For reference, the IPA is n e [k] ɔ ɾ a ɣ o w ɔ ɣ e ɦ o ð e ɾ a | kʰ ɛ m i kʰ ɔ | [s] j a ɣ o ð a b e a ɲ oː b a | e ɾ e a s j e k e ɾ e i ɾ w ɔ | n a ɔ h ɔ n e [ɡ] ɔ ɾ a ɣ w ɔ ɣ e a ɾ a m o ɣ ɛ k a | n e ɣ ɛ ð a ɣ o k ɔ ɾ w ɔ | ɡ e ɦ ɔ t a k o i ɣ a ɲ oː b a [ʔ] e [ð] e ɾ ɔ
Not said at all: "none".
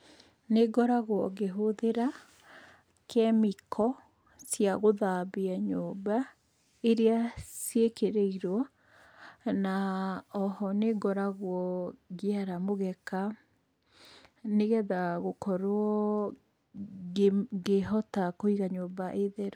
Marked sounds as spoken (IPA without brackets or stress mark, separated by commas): ɡ, s, ɡ, ʔ, ð